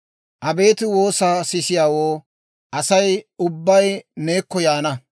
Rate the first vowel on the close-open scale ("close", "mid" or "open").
open